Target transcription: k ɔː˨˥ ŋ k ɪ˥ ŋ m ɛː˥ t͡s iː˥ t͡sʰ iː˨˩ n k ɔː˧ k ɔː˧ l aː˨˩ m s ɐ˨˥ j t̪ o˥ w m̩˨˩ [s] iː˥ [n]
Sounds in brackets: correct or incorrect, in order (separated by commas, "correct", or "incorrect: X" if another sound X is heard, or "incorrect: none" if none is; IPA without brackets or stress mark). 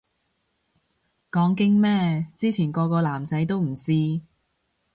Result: correct, incorrect: none